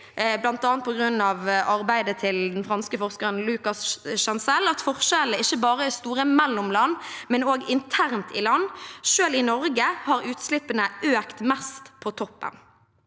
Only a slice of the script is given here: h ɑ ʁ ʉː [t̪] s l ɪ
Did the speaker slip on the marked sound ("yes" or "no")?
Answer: no